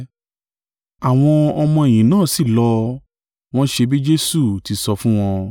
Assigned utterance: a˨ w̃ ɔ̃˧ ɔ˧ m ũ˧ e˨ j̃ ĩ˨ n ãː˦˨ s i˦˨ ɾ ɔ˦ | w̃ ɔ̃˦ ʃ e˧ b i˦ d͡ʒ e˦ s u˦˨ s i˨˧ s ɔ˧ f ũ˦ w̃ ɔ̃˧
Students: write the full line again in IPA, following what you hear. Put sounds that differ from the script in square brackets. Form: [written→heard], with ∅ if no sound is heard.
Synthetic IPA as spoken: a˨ w̃ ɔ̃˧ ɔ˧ m [ũ˧→ɔ̃˧] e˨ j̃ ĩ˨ n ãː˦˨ s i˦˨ [ɾ→l] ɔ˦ | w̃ ɔ̃˦ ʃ e˧ b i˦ d͡ʒ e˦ s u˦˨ [s→t] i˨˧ s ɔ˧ f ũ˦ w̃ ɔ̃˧